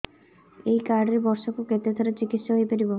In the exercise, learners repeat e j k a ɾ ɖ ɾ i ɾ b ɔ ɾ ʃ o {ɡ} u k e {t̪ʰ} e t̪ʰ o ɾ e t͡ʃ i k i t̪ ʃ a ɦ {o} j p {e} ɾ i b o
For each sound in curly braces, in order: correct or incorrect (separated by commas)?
incorrect, incorrect, correct, correct